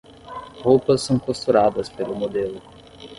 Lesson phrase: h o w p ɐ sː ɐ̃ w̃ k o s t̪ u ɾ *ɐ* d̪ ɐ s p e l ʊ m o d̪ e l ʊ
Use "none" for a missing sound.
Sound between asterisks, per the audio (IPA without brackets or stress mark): a